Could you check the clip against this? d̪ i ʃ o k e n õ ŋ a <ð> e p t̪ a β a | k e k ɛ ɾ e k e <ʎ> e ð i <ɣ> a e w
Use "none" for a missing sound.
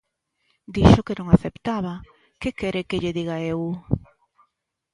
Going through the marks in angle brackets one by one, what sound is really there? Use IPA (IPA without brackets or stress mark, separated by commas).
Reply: θ, ʎ, ɣ